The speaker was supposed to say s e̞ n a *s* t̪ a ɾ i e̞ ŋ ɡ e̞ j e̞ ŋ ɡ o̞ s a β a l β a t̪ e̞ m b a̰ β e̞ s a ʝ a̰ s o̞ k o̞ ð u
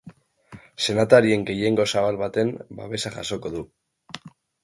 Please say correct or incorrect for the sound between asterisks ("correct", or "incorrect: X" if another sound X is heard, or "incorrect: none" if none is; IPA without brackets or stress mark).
incorrect: none